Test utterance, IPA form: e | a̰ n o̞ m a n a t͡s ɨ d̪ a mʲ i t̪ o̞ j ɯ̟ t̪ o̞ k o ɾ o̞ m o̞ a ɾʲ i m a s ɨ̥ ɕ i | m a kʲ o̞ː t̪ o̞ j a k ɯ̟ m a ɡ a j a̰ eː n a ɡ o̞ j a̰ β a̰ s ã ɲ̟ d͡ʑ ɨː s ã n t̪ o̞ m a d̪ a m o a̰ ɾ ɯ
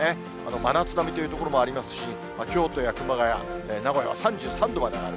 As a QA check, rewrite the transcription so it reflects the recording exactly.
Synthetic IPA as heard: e | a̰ n o̞ m a n a t͡s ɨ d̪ a mʲ i t̪ o̞ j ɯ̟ t̪ o̞ k o ɾ o̞ m o̞ a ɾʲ i m a s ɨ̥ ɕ i | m a kʲ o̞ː t̪ o̞ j a k ɯ̟ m a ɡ a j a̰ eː n a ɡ o̞ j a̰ β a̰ s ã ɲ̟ d͡ʑ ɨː s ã n d̪ o̞ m a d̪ e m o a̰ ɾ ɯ

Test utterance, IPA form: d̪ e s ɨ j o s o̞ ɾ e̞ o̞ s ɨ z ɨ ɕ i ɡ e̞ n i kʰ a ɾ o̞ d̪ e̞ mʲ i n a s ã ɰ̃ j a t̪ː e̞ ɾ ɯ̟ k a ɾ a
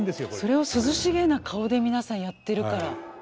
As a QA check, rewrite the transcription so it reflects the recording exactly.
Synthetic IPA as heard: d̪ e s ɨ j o s o̞ ɾ e̞ o̞ s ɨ z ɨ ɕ i ɡ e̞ n a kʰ a o̞ d̪ e̞ mʲ i n a s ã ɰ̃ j a t̪ː e̞ ɾ ɯ̟ k a ɾ a

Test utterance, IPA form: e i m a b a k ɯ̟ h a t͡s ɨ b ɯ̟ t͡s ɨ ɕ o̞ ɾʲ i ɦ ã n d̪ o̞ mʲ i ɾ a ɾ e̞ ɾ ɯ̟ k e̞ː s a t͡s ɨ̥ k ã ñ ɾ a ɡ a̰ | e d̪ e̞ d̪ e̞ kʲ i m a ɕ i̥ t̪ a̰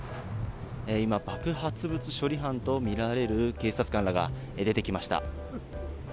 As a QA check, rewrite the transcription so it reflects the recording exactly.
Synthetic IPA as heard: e i m a b a k ɯ̟ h a t͡s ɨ b ɯ̟ t͡s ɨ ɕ o̞ ɾʲ i ɦ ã n t̪ o̞ mʲ i ɾ a ɾ e̞ ɾ ɯ̟ k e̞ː s a t͡s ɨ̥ k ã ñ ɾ a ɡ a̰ | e d̪ e̞ t̪ e̞ kʲ i m a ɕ i̥ t̪ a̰

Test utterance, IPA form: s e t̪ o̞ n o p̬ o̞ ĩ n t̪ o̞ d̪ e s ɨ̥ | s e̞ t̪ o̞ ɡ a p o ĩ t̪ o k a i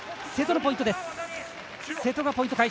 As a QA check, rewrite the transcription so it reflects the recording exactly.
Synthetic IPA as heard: s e t̪ o̞ n o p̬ o̞ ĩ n t̪ o̞ d̪ e s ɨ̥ | s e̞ t̪ o̞ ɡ a p o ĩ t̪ o k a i

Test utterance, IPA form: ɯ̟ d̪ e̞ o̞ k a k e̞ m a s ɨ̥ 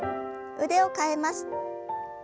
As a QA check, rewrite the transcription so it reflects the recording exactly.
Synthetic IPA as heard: ɯ̟ d̪ e̞ o̞ k a e̞ m a s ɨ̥

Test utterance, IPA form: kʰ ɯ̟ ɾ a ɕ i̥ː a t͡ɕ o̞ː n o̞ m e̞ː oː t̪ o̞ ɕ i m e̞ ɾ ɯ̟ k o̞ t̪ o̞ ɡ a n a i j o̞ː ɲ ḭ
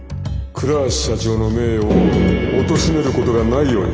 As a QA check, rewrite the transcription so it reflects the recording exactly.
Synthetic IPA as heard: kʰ ɯ̟ ɾ a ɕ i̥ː a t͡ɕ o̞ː n o̞ m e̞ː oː t̪ o̞ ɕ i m e̞ ɾ ɯ̟ k o̞ t̪ o̞ ɡ a n a i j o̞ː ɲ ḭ

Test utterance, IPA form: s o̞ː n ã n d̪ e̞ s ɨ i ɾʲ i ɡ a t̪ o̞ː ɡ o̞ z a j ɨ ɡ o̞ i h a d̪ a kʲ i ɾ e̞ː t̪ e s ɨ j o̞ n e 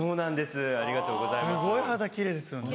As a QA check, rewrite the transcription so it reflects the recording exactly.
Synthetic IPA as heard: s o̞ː n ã n d̪ e̞ s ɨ a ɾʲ i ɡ a t̪ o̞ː ɡ o̞ z a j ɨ ɡ o̞ i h a d̪ a kʲ i ɾ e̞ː d̪ e s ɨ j o̞ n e

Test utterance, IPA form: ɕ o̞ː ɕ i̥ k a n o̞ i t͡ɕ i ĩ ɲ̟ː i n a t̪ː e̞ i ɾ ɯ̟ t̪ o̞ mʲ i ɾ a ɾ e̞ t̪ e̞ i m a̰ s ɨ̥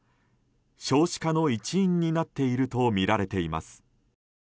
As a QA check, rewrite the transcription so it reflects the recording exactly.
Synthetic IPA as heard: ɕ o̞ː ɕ i̥ k a n o̞ i t͡ɕ i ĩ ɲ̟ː i n a t̪ː e̞ i ɾ ɯ̟ t̪ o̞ mʲ i ɾ a ɾ e̞ t̪ e̞ i m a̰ s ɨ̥

